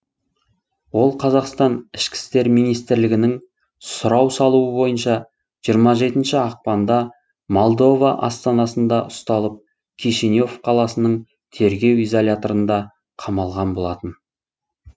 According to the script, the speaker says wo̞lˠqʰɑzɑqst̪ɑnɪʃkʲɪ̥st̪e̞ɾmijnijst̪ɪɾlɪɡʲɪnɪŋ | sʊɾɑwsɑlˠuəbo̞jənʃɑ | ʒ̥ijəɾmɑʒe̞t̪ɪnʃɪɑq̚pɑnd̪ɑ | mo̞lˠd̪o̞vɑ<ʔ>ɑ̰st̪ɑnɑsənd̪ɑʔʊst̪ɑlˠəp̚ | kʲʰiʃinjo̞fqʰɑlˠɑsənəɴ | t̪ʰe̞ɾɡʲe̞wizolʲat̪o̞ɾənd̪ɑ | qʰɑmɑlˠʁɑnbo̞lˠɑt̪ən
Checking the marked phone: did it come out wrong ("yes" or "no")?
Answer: no